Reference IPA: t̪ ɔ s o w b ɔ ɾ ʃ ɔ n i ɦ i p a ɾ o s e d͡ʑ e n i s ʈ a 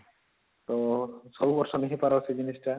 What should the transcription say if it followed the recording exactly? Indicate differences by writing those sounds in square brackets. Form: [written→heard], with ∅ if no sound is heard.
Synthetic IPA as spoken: t̪ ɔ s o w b ɔ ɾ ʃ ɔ n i ɦ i p a ɾ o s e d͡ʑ [e→i] n i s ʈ a